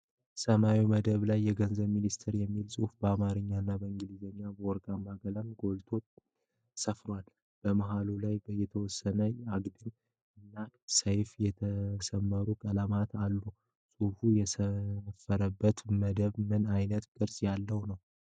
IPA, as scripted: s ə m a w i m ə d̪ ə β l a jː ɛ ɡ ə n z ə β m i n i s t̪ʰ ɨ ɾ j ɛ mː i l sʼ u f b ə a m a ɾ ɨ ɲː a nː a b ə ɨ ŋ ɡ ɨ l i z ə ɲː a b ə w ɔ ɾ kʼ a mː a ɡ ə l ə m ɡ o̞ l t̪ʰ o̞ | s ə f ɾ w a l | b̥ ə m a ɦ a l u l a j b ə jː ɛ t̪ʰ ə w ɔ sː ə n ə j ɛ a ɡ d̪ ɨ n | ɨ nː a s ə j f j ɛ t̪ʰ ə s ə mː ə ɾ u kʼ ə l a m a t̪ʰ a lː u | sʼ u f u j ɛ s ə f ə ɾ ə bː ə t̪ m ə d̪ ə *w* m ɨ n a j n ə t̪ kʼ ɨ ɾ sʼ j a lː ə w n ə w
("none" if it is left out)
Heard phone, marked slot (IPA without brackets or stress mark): β